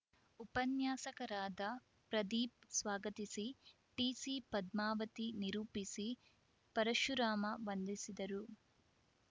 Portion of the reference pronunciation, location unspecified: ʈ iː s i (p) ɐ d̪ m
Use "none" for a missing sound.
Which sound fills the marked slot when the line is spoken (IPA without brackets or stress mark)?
p